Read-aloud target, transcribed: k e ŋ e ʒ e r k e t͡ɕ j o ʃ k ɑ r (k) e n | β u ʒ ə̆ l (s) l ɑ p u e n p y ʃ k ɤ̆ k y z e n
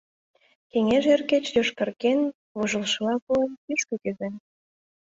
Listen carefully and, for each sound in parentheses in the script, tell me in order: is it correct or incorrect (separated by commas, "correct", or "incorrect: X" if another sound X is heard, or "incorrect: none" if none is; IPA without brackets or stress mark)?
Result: correct, incorrect: ʃ